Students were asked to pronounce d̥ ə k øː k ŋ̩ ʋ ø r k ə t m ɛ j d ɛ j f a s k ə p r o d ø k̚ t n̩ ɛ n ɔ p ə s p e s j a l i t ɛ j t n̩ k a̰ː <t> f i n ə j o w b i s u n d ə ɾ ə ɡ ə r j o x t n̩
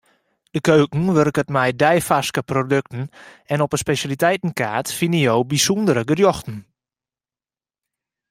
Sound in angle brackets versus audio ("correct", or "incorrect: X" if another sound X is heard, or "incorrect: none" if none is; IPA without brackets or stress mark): correct